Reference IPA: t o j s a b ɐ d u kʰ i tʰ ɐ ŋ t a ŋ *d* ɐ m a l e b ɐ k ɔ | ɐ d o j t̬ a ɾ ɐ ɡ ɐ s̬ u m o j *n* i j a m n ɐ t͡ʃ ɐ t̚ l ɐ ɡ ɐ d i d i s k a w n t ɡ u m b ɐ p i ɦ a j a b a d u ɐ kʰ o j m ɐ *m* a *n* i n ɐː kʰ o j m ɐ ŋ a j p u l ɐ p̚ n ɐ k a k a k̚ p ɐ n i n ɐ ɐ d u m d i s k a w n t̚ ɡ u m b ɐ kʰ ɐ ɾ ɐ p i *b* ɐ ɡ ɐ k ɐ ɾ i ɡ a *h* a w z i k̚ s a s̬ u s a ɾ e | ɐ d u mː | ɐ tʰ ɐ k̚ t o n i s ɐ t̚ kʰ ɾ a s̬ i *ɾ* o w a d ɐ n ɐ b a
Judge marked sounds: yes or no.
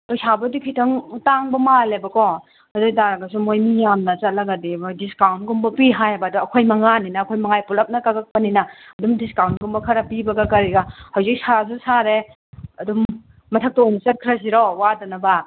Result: no, no, no, yes, yes, yes, yes

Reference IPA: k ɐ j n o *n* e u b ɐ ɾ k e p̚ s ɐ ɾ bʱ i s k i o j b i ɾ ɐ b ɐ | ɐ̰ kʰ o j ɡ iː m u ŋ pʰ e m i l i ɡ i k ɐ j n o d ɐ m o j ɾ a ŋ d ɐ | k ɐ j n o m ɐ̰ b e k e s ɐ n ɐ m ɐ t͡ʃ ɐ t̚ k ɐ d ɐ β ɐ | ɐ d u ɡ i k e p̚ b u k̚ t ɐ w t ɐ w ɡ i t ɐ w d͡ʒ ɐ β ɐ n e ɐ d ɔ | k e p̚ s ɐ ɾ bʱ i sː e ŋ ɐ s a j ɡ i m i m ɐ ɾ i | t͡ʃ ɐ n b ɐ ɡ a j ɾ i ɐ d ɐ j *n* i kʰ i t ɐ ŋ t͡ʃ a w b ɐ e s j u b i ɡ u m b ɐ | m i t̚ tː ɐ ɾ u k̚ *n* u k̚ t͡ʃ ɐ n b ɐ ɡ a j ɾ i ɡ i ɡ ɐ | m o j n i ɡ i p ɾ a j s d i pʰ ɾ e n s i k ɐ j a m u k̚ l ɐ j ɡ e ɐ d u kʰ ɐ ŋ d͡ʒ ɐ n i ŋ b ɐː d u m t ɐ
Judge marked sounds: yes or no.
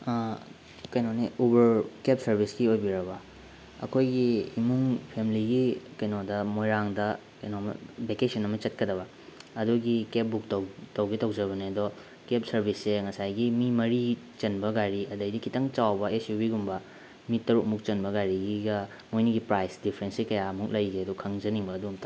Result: yes, no, no

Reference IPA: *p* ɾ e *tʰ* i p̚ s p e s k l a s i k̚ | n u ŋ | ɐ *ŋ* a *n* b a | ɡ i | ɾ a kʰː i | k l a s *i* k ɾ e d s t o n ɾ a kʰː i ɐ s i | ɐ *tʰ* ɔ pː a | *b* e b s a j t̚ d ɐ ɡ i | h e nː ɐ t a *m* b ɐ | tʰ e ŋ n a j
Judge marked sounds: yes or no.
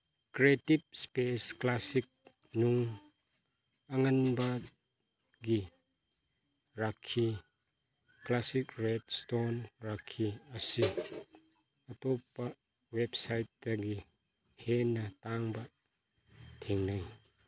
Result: no, no, yes, yes, yes, no, no, no

